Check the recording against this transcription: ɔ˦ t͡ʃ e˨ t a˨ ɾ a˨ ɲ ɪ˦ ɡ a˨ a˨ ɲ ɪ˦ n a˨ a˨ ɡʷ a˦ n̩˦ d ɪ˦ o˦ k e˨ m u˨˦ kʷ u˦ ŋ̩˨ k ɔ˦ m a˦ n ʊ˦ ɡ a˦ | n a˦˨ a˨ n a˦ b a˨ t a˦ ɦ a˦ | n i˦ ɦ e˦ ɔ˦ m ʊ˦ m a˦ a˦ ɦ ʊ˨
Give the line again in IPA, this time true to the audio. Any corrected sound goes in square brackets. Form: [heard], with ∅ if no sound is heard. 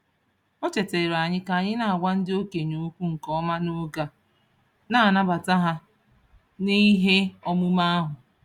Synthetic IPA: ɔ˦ t͡ʃ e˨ t [e˨] ɾ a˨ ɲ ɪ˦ [k] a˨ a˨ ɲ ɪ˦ n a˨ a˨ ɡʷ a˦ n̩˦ d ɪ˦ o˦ k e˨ [ɲ] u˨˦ kʷ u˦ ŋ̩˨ k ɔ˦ m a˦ n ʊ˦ ɡ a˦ | n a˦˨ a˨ n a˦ b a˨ t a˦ ɦ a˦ | n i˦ ɦ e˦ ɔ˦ m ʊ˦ m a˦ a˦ ɦ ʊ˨

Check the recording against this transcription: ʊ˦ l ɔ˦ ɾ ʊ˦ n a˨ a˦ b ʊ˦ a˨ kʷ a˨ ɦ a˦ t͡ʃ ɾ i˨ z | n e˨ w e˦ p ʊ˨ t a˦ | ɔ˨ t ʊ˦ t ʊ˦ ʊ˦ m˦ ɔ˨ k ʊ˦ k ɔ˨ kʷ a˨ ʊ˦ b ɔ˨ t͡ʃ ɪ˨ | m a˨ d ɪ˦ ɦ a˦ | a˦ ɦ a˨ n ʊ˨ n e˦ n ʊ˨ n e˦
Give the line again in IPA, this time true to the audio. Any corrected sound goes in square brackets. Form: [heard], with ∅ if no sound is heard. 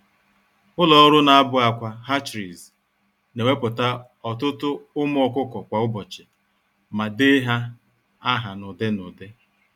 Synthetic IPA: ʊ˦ l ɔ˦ ɾ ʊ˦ n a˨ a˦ b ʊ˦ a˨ kʷ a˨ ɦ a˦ t͡ʃ ɾ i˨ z | n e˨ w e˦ p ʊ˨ t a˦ | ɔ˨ t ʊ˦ t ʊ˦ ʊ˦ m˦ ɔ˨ k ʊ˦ k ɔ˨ kʷ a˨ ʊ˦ b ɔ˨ t͡ʃ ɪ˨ | m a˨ d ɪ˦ ɦ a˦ | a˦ ɦ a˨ n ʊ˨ [d] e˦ n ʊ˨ [d] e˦

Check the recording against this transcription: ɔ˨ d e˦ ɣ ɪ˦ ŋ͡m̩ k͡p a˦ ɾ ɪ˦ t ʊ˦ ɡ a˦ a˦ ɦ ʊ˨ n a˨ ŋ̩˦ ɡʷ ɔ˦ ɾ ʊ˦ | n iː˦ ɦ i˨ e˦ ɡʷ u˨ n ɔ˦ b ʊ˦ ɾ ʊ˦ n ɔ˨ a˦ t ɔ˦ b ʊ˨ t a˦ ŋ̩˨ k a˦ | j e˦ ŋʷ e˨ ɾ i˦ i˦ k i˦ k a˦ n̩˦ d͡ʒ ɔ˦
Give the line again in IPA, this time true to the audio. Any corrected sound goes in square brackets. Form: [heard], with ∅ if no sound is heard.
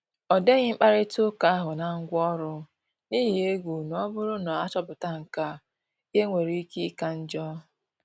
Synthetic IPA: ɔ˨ d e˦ ɣ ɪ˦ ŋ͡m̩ k͡p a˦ ɾ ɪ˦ t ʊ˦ [k] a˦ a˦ ɦ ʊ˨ n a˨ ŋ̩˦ ɡʷ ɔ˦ ɾ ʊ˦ | n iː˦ ɦ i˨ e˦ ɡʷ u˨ n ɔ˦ b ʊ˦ ɾ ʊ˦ n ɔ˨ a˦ [t͡ʃ] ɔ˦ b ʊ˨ t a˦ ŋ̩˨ k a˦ | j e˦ ŋʷ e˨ ɾ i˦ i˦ k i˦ k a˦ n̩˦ d͡ʒ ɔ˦

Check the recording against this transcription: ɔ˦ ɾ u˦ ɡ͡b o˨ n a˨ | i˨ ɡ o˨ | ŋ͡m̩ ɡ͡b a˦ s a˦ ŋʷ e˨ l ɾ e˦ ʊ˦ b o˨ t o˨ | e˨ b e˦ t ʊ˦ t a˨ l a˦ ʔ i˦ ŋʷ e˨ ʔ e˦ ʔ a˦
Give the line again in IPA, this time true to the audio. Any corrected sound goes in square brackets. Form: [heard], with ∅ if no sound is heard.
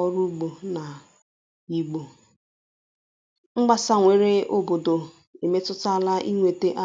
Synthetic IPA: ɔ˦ ɾ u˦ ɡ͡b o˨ n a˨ | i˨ [ɡ͡b] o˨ | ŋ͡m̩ ɡ͡b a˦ s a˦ ŋʷ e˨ [∅] ɾ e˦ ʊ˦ b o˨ [d] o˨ | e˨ [m] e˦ t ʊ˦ t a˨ l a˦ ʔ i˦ ŋʷ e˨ [t] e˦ ʔ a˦

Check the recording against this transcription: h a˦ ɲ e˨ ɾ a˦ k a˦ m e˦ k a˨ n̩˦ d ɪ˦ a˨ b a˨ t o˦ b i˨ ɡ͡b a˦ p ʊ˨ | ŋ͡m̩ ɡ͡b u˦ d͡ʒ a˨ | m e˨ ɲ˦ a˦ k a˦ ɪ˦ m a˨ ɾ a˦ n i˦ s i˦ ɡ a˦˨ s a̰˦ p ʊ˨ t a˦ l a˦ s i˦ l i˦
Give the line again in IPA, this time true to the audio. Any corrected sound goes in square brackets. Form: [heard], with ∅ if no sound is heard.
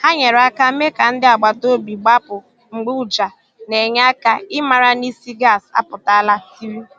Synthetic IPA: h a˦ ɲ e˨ ɾ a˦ k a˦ m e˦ k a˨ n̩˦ d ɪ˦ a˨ [ɡ͡b] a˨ t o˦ b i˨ ɡ͡b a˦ p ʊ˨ | ŋ͡m̩ ɡ͡b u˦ d͡ʒ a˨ | [n] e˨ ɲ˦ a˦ k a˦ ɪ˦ m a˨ ɾ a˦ n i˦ s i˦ ɡ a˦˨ s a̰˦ p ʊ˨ t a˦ l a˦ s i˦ [ɾ] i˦

